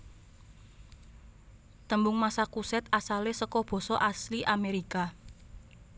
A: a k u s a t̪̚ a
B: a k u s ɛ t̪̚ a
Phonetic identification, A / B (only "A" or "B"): B